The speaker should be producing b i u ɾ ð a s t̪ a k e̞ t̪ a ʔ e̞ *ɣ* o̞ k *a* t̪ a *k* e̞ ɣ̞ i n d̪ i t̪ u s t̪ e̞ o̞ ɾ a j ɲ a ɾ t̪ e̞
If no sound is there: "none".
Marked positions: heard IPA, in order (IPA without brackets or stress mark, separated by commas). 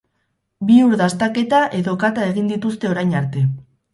ð, a, none